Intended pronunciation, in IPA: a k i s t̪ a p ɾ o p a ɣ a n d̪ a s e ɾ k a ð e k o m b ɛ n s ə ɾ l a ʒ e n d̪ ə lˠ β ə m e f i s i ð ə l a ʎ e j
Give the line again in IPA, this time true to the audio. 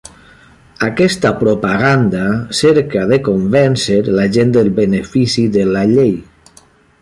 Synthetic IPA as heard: a k ɛ s t̪ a p ɾ o p a ɣ a n d̪ a s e ɾ k a ð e k o m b ɛ n s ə ɾ l a ʒ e n d̪ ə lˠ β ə n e f i s i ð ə l a ʎ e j